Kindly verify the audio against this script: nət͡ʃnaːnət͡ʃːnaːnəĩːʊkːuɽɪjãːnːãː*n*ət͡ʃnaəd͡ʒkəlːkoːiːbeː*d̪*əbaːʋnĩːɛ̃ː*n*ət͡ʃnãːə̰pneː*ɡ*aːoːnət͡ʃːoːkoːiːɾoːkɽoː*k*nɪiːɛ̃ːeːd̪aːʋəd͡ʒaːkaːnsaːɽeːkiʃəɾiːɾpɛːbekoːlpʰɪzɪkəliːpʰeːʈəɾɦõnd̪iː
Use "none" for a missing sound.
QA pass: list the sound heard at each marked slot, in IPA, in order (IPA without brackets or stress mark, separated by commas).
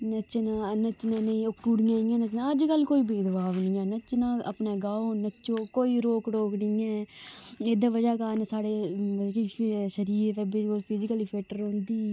n, d̪, n, ɡ, k